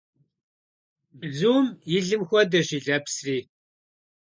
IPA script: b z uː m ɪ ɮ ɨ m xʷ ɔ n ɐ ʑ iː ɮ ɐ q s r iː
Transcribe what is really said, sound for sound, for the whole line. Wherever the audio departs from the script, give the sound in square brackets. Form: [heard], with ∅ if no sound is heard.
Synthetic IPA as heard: b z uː m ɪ ɮ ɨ m xʷ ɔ [d] ɐ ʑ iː ɮ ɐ [p] s r iː